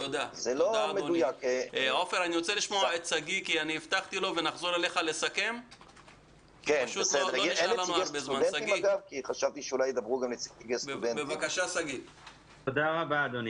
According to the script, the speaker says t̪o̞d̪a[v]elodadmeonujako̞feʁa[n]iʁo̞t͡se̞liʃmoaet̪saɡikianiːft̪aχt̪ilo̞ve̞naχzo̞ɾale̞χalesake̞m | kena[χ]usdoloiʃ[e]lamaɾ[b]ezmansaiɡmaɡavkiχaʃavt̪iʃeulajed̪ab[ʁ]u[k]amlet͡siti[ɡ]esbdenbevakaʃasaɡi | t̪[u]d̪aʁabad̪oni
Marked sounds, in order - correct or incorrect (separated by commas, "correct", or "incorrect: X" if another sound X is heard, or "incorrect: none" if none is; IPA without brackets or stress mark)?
incorrect: z, correct, incorrect: ʃ, incorrect: a, correct, correct, incorrect: ɡ, correct, incorrect: o